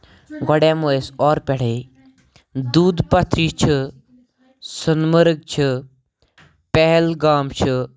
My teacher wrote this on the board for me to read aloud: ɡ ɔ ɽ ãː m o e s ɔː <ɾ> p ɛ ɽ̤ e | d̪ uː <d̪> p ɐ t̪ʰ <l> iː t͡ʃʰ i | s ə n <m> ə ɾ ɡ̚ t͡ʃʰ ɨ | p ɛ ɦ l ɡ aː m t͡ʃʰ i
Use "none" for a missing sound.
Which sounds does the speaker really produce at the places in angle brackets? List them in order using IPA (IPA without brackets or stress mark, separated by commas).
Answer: ɾ, d̪, ɾ, m